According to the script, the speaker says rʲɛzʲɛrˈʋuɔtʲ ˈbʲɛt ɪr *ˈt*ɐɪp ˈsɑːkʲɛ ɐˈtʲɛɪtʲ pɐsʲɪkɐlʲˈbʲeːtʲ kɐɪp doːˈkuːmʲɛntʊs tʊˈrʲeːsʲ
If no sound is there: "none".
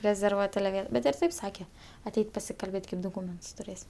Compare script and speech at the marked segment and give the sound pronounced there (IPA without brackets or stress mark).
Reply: t